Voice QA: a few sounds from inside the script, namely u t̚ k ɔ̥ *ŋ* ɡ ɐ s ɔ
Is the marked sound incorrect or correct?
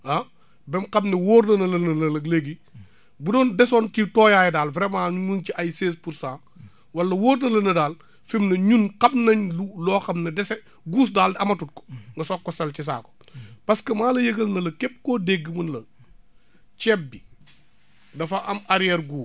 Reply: correct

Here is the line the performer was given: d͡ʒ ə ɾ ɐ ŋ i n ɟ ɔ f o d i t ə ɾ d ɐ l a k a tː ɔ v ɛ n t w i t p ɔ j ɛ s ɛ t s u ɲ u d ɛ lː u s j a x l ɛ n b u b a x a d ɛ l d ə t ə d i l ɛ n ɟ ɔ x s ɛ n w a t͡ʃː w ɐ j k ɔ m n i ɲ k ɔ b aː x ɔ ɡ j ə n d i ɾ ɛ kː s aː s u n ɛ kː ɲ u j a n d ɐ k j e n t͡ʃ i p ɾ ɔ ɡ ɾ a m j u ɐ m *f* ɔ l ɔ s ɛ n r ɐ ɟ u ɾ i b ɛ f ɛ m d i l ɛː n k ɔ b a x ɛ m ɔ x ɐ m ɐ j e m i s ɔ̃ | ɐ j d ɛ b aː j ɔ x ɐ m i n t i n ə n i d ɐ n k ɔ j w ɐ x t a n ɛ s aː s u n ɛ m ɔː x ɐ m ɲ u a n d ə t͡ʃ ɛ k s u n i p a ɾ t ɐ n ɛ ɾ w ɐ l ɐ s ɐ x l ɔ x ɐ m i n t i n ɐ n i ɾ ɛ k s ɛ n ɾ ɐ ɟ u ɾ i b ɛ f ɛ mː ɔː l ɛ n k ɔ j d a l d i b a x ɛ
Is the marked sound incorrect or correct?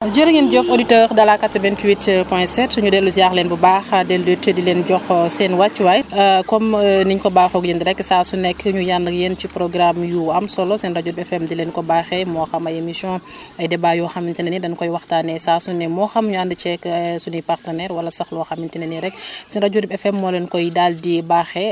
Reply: incorrect: s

